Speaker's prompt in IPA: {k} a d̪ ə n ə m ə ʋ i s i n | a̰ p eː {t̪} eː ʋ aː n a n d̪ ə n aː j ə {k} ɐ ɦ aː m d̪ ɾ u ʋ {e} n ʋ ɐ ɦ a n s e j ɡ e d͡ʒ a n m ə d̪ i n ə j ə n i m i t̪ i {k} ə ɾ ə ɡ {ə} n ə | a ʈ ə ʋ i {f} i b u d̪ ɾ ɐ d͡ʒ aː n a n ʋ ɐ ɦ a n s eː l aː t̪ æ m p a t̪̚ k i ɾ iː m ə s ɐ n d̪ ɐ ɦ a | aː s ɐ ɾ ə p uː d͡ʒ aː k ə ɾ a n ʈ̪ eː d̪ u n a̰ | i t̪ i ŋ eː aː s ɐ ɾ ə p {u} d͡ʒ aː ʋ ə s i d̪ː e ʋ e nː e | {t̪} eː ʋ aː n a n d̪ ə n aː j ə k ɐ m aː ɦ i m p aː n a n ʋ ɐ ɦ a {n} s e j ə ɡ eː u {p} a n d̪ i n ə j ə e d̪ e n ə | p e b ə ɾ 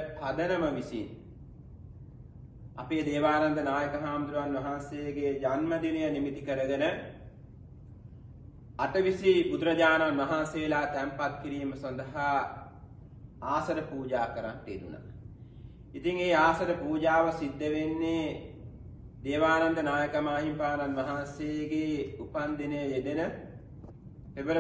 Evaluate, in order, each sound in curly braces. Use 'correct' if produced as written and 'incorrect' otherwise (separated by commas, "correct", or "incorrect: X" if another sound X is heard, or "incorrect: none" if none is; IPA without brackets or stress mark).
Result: incorrect: p, incorrect: d̪, correct, incorrect: a, correct, correct, incorrect: s, incorrect: uː, incorrect: d̪, correct, correct